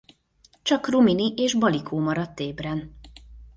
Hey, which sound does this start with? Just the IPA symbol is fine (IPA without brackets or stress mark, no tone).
t͡ʃ